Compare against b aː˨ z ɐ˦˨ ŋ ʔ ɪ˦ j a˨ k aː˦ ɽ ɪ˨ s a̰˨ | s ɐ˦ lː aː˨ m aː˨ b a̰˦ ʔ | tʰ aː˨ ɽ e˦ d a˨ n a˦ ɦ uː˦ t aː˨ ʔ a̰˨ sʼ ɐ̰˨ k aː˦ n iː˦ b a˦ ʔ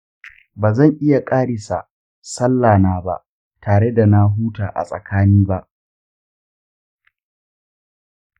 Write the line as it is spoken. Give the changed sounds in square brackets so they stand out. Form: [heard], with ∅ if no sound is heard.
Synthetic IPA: b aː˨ z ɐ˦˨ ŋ ʔ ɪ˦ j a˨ [kʼ] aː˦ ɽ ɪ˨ s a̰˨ | s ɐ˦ lː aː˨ [n] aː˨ b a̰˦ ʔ | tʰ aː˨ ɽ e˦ d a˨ n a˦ ɦ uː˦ t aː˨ ʔ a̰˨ sʼ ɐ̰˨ k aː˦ n iː˦ b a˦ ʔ